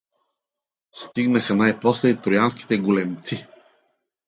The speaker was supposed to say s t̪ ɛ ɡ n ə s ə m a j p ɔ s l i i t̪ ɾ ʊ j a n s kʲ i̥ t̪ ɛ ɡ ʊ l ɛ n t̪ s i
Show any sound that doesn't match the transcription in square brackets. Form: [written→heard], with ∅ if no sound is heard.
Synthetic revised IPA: s t̪ [ɛ→i] ɡ n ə [s→x] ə [m→n] a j p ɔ s l [i→ɛ] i t̪ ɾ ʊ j a n s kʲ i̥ t̪ ɛ ɡ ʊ l ɛ [n→m] t̪ s i